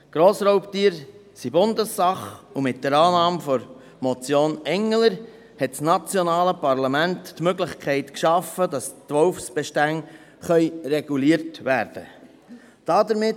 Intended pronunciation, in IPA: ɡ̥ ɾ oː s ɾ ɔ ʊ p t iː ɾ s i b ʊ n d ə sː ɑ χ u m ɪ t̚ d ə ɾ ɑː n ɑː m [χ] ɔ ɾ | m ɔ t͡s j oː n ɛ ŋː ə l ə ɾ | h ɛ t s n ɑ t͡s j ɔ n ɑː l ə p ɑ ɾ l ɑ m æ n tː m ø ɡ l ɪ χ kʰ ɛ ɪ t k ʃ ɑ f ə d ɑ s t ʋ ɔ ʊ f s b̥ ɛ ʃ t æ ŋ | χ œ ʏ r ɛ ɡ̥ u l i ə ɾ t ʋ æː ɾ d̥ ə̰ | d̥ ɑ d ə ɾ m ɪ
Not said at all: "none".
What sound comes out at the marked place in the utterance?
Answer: f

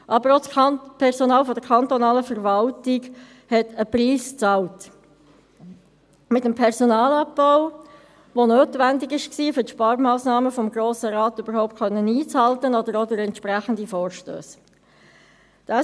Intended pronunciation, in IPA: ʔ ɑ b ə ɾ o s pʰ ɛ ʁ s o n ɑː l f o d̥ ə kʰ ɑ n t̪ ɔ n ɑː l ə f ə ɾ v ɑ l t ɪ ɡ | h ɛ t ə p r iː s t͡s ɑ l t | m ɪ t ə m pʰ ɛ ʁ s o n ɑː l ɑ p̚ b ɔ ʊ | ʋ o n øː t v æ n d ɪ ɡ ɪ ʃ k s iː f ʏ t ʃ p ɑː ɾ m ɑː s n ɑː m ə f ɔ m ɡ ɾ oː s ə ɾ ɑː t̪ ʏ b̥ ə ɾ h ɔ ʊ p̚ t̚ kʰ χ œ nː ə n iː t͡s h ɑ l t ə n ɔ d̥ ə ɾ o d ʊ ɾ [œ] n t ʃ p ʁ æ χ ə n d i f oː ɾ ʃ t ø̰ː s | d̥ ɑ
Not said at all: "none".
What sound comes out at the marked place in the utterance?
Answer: ɛ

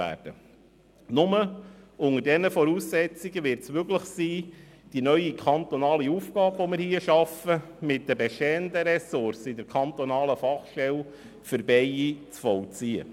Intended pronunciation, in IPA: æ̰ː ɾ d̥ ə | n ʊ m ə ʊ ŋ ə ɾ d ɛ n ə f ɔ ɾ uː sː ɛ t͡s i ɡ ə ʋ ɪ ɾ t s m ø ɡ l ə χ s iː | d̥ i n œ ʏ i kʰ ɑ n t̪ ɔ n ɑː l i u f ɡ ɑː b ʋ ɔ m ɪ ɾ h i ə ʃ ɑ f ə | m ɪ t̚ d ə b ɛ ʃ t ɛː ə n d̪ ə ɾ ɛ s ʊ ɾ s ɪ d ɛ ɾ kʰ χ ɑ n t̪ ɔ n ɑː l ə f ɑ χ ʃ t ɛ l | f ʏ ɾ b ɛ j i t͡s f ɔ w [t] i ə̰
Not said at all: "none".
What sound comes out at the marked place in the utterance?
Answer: t͡s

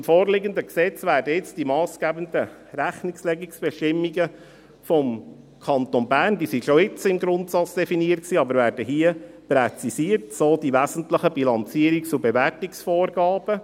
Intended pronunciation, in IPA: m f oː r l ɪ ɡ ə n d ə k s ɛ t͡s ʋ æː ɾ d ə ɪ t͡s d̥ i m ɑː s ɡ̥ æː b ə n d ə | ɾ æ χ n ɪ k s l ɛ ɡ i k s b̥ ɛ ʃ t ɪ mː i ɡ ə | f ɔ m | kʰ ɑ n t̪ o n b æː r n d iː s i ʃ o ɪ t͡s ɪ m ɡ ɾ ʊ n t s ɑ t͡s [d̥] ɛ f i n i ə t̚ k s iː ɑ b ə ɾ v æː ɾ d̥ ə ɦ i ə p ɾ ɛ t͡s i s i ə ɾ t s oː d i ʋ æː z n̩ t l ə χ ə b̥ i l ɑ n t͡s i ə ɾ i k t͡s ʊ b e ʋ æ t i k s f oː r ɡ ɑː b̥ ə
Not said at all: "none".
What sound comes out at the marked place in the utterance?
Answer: d̥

